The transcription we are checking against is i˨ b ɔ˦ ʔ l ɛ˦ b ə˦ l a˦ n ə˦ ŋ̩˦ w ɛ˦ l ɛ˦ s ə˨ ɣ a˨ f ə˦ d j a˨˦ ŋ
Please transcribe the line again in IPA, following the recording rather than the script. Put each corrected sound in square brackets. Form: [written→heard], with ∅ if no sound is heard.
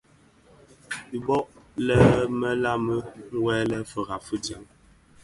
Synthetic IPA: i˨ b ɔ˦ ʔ l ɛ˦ [b→m] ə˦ l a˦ [n→m] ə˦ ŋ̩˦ w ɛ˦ l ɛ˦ [s→f] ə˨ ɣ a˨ f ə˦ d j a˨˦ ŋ